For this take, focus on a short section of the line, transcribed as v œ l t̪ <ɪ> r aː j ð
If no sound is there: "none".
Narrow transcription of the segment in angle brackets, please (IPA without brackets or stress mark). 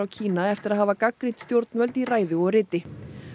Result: i